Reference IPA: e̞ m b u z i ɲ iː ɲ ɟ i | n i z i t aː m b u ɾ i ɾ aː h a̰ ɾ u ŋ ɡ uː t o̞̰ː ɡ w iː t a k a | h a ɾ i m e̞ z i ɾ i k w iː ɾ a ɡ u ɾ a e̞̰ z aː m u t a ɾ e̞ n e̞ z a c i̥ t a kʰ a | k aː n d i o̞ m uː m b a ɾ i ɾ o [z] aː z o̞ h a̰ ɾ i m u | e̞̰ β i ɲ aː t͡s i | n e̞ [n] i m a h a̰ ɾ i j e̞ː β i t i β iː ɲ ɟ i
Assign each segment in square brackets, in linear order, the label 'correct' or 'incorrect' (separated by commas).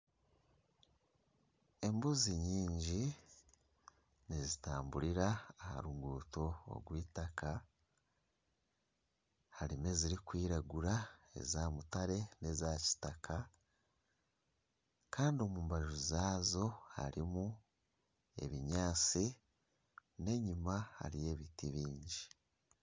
correct, incorrect